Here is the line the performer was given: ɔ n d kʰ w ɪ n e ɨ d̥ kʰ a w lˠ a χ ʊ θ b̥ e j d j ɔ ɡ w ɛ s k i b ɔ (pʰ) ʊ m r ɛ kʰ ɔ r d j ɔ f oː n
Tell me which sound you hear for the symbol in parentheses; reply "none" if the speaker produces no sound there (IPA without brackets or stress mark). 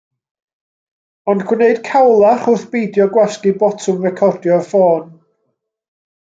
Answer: tʰ